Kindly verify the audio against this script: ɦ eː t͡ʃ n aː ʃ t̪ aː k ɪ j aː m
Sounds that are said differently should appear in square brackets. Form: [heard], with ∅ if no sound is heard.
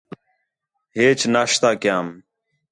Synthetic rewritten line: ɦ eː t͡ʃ n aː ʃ t̪ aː k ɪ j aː m